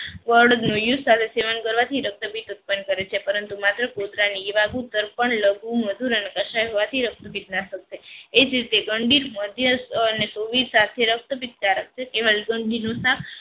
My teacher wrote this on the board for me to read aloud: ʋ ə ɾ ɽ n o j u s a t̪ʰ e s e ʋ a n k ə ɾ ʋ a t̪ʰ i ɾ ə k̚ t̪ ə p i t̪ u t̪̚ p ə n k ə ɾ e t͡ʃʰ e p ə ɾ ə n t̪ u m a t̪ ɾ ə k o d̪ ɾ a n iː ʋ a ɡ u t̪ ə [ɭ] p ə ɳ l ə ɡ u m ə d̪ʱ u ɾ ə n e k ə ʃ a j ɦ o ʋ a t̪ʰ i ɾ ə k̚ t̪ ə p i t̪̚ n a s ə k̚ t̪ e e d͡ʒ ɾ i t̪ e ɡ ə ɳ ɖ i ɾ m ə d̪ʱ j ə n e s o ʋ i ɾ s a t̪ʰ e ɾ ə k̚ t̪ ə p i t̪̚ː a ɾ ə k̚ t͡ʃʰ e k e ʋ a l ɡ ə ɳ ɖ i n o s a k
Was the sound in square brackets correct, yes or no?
no